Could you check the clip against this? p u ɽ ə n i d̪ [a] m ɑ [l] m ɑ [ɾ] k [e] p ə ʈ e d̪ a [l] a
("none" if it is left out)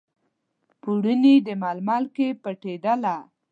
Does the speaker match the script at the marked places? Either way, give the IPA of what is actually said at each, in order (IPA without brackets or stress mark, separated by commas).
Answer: ə, l, l, e, l